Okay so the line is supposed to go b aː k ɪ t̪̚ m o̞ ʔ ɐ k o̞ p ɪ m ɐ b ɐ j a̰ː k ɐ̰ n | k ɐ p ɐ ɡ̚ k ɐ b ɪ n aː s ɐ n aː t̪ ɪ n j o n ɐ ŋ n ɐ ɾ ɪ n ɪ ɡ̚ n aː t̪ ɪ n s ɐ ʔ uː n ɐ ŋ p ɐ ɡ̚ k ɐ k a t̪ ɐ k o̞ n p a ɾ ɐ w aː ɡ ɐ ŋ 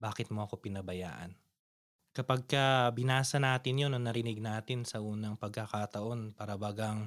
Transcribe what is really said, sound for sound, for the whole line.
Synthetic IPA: b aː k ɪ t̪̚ m o̞ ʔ ɐ k o̞ p ɪ n ɐ b ɐ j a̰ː ʔ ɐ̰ n | k ɐ p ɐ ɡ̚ k ɐ b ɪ n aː s ɐ n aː t̪ ɪ n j o n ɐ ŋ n ɐ ɾ ɪ n ɪ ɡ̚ n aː t̪ ɪ n s ɐ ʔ uː n ɐ ŋ p ɐ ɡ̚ k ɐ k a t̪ ɐ ʔ o̞ n p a ɾ ɐ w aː ɡ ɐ ŋ